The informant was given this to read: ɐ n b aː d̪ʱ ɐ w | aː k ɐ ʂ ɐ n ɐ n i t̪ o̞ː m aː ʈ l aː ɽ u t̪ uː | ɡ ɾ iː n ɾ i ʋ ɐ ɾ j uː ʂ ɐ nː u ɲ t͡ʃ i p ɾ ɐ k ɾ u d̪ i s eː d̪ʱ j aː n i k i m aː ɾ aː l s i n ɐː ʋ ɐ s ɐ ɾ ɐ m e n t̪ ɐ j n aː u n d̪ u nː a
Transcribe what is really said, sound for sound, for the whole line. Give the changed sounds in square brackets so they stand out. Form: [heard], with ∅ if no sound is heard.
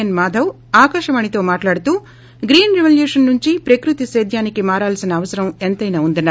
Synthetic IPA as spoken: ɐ n [m] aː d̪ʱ ɐ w | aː k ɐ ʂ ɐ [m] ɐ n i t̪ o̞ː m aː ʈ l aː ɽ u t̪ uː | ɡ ɾ iː n ɾ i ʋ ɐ [l] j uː ʂ ɐ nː u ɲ t͡ʃ i p ɾ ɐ k ɾ u [t̪] i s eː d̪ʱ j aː n i k i m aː ɾ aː l s i n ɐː ʋ ɐ s ɐ ɾ ɐ m e n t̪ ɐ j n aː u n d̪ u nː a